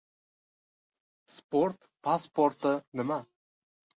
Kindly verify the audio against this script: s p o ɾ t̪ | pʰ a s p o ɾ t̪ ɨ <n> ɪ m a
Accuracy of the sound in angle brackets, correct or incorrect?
correct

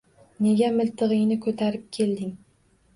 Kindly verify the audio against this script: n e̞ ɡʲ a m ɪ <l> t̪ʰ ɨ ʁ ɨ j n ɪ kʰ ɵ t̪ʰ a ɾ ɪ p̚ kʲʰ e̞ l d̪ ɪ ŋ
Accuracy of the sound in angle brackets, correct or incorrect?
correct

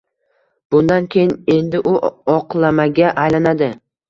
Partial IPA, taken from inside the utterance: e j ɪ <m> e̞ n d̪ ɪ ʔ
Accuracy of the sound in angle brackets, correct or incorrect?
incorrect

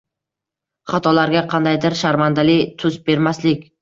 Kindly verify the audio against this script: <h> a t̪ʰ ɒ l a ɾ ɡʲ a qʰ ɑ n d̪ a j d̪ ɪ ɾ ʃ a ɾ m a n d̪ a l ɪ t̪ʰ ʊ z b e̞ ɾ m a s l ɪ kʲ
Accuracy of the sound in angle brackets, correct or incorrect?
incorrect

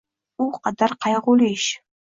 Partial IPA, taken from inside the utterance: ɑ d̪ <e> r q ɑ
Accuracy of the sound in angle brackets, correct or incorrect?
incorrect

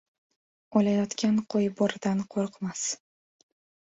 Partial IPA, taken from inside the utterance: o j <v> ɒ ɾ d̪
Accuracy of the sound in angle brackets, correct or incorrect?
incorrect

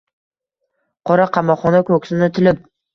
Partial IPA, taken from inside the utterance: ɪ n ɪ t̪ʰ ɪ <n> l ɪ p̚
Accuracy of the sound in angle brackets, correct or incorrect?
incorrect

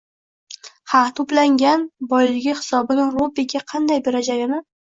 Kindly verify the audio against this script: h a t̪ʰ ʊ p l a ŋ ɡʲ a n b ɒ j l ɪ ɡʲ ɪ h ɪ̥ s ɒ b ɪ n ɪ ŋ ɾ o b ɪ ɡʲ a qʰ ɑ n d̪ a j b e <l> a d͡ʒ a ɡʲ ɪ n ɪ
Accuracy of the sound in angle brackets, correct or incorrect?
incorrect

